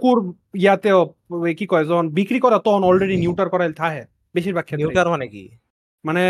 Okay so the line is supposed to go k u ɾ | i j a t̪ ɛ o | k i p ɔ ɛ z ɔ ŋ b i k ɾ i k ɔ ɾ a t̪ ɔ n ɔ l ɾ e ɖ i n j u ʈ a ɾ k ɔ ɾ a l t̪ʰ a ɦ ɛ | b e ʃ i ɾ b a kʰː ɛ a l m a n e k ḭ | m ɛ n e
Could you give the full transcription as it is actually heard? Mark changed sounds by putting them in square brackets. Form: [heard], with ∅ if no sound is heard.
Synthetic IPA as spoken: k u ɾ | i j a t̪ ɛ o | k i [k] ɔ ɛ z ɔ [n] b i k ɾ i k ɔ ɾ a t̪ ɔ n ɔ l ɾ e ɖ i n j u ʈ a ɾ k ɔ ɾ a l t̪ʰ a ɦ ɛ | b e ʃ i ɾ b a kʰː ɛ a [ɾ] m a n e k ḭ | m [a] n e